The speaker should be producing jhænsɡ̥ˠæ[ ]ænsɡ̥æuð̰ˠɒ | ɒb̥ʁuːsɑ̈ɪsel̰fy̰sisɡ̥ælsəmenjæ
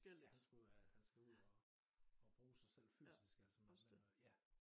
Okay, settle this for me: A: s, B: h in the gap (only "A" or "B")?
B